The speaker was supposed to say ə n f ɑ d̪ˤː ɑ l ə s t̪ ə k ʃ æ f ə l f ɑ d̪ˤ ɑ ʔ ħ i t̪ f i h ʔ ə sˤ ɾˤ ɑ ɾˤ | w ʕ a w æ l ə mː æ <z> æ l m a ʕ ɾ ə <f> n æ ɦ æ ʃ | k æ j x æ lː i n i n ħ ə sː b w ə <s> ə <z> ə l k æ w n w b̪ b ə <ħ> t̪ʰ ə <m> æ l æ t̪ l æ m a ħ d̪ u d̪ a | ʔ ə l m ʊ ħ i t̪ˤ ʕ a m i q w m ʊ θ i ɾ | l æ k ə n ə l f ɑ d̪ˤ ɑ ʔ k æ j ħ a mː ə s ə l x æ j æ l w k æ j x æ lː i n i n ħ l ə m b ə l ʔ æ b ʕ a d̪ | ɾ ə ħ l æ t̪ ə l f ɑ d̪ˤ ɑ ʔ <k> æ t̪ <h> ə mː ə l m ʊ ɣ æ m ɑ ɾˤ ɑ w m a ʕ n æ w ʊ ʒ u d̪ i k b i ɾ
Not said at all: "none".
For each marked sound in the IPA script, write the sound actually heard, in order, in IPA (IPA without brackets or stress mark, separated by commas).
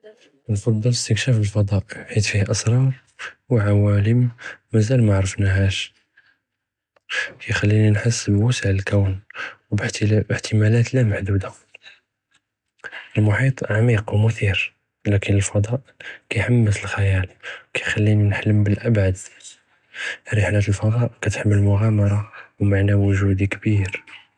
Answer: z, f, s, ʕ, ħ, m, k, ħ